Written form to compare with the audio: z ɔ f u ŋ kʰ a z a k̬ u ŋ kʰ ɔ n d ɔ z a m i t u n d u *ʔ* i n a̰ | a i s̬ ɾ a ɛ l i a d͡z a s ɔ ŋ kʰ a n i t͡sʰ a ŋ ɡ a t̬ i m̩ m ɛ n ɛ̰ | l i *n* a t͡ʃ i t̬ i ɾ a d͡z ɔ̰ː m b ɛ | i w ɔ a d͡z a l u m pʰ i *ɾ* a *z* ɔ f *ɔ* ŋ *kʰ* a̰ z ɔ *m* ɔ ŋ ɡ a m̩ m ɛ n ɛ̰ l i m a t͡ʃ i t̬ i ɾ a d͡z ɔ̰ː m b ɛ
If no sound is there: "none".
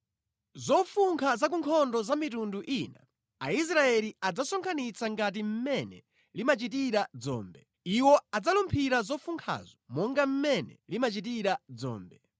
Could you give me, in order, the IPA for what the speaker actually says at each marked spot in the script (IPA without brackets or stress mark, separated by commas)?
ʔ, m, ɾ, z, u, kʰ, m